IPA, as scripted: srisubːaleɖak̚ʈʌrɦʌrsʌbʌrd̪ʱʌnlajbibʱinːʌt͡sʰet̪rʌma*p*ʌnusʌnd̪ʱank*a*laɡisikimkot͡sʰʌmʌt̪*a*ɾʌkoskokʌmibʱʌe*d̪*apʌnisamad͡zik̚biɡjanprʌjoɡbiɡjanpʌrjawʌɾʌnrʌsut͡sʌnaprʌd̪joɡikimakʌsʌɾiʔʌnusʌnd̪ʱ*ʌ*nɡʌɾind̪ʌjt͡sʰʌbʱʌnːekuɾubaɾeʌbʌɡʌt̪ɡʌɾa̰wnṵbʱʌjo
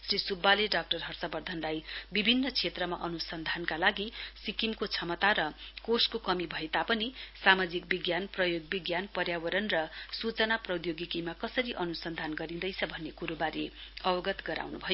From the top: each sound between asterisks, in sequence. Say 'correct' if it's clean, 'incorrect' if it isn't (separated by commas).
incorrect, correct, correct, incorrect, incorrect